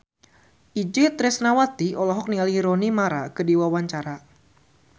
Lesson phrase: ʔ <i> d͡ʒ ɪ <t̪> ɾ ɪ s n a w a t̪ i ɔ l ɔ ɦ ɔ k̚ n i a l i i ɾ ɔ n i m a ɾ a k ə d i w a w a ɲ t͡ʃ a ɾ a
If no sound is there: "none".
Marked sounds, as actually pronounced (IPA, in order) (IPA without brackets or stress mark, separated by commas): i, t̪